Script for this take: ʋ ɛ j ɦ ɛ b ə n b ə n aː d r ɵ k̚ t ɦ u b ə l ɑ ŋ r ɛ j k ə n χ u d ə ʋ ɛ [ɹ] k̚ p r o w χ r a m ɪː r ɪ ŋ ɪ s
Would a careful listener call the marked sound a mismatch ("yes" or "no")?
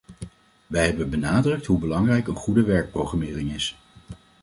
no